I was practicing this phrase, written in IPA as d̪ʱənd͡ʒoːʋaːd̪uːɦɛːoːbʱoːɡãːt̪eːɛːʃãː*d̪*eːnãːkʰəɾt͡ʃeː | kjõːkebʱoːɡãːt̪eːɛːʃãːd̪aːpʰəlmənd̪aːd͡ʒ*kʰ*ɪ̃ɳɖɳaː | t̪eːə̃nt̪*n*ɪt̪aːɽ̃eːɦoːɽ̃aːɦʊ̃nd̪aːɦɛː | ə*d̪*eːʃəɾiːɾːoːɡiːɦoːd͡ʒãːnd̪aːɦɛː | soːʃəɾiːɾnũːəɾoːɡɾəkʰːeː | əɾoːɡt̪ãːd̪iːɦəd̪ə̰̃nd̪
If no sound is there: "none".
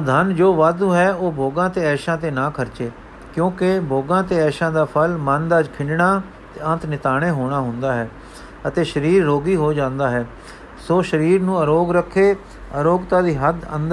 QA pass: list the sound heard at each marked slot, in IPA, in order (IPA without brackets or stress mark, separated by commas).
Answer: t̪, kʰ, n, t̪